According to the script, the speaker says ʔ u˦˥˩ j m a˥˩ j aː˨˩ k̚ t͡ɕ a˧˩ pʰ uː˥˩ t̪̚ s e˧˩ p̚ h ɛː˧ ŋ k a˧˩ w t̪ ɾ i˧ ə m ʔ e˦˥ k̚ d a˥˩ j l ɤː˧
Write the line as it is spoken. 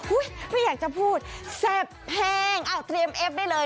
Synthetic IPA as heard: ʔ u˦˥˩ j m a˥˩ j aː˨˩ k̚ t͡ɕ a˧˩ pʰ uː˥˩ t̪̚ s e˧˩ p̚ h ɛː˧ ŋ ʔ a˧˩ w t̪ ɾ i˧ ə m ʔ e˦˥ p̚ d a˥˩ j l ɤː˧